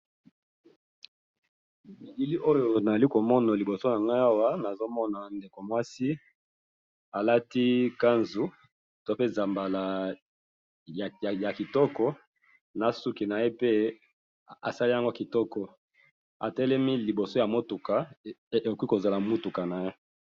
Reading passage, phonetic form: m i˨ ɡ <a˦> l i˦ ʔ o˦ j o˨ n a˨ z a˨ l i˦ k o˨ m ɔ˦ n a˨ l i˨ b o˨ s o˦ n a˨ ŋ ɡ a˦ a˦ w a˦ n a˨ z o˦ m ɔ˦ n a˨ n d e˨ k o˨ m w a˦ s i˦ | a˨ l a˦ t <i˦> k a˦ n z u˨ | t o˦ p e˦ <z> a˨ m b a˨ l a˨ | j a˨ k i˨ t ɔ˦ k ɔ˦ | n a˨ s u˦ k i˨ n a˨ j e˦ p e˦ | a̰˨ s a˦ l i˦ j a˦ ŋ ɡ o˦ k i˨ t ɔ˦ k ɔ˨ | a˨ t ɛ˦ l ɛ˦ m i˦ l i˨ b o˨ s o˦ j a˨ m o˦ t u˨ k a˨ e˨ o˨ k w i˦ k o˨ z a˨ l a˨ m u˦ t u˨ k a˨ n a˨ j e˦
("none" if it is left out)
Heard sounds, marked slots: i˦, i˦, z

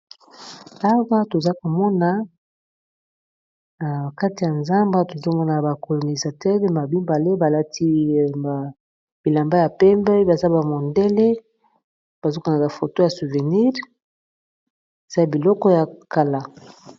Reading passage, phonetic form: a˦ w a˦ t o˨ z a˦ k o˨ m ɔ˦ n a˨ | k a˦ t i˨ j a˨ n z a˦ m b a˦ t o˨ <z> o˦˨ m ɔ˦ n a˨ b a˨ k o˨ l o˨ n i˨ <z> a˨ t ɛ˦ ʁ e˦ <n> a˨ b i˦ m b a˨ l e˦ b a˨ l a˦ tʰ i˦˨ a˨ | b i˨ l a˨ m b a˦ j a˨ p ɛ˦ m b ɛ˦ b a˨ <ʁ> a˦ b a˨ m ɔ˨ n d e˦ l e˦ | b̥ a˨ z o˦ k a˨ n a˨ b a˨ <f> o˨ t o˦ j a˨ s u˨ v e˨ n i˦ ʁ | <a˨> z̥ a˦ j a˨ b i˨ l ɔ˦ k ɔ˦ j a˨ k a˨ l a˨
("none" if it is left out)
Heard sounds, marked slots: z, z, m, z, f, e˨

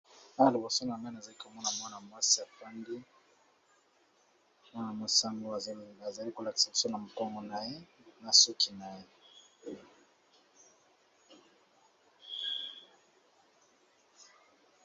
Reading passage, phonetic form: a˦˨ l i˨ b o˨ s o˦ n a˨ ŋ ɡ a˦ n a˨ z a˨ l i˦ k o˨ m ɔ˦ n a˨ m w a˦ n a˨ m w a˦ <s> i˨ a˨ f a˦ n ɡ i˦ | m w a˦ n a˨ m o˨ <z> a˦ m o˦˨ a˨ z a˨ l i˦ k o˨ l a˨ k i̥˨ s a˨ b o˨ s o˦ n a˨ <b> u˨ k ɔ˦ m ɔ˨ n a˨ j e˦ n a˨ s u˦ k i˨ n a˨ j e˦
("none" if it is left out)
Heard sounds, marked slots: s, s, m

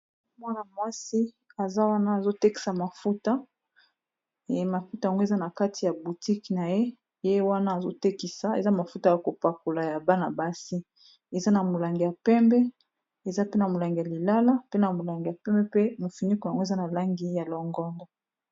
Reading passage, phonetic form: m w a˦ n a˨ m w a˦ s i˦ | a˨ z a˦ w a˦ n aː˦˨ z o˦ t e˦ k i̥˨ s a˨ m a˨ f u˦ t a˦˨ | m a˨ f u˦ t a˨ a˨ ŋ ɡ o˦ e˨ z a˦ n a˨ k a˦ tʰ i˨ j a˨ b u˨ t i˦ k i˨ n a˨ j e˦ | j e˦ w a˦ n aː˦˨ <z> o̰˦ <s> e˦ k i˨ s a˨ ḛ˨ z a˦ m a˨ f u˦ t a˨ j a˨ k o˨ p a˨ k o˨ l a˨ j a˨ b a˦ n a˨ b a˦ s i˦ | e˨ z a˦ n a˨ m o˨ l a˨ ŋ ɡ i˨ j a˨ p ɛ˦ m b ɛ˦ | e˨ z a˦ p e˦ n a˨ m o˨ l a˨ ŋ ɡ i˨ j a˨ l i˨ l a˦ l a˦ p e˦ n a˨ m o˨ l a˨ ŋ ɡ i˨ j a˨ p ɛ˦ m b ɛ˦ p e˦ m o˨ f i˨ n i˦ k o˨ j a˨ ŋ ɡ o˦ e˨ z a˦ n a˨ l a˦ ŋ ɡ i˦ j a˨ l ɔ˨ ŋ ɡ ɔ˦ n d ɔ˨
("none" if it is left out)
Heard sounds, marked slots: z, t

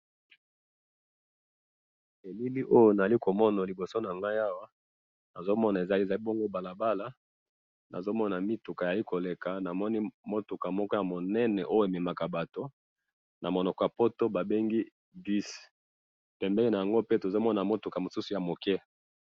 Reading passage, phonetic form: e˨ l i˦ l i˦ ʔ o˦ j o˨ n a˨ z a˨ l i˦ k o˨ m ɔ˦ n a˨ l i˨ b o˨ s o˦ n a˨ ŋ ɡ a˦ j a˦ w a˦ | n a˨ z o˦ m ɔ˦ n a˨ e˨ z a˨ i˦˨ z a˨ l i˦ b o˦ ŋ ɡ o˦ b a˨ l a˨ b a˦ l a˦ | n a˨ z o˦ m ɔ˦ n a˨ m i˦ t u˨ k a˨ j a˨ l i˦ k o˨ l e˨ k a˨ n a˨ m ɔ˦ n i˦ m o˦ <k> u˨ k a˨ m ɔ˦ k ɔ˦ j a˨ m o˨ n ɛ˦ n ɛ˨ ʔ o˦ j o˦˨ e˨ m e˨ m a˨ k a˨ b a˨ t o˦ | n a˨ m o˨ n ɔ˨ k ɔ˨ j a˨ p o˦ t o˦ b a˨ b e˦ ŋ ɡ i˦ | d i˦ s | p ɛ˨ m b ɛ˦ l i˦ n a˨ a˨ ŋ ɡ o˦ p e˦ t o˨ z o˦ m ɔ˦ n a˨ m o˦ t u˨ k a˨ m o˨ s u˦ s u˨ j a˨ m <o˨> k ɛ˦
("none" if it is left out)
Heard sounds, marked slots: t, o˨

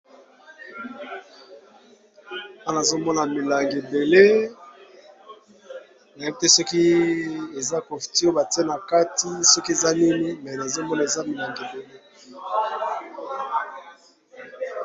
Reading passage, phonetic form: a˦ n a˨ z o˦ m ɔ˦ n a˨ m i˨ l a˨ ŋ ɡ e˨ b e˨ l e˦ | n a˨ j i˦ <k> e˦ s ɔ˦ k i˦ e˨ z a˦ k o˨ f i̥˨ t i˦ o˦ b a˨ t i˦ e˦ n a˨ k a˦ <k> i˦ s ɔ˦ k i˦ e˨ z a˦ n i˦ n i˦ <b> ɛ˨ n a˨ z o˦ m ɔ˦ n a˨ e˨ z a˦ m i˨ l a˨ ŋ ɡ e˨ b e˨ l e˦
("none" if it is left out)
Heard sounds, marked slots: t, t, m

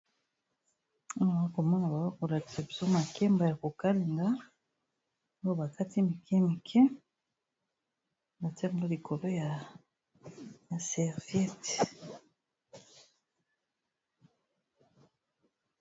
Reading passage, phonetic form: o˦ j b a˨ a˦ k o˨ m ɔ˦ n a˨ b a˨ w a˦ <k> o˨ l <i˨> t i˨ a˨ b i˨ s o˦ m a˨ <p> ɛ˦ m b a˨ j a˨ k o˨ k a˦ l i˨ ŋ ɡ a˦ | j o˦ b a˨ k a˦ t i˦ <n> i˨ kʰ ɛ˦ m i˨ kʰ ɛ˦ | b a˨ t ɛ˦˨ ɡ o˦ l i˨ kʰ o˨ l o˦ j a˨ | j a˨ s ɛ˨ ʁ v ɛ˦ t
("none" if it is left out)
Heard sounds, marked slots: k, a˨, k, m

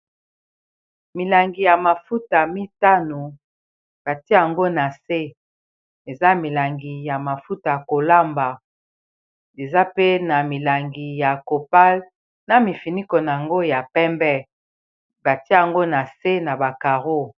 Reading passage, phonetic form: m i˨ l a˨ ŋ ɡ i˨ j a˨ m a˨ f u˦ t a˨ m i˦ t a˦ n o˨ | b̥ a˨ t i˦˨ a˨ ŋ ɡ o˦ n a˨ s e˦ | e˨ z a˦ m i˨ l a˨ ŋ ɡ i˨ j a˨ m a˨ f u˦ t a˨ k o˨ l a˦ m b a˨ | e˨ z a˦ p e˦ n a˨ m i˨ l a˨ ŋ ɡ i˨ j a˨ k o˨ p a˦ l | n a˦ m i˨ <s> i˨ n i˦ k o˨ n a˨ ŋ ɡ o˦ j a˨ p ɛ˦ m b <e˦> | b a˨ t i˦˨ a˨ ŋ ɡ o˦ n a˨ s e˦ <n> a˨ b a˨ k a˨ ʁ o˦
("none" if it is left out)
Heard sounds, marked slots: f, ɛ˦, n

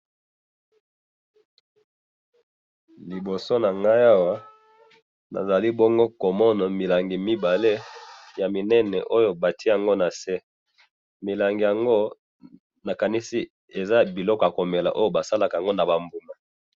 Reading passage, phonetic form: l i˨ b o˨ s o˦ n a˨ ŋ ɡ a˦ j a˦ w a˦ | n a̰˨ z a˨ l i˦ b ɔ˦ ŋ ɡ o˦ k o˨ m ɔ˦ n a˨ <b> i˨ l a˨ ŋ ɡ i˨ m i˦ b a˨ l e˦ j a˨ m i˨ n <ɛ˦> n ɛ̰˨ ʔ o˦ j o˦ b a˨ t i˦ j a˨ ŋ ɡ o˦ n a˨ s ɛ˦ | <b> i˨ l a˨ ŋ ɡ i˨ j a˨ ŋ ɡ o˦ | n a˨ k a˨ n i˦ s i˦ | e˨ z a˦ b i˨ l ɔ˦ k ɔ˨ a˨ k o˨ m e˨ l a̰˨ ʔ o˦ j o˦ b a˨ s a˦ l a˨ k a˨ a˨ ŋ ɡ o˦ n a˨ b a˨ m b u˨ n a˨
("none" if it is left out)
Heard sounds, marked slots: m, ɛ˦, m

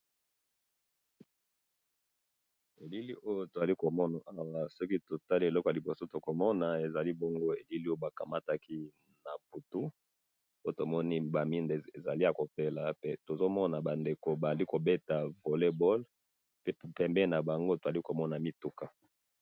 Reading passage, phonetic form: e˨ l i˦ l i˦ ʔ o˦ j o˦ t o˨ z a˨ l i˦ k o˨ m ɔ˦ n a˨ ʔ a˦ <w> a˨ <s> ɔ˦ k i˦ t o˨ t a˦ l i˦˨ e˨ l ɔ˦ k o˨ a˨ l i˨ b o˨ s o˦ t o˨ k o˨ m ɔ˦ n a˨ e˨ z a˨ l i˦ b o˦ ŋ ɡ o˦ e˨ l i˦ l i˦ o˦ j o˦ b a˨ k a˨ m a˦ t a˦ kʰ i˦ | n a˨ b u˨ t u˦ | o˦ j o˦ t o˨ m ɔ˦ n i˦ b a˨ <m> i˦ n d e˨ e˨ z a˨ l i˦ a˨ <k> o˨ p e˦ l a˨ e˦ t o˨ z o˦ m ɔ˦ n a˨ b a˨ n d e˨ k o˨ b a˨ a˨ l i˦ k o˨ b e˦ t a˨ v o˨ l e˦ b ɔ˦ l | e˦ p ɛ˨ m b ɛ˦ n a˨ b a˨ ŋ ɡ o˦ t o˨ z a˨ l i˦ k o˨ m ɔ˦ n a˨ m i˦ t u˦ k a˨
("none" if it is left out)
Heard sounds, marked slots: w, s, m, k

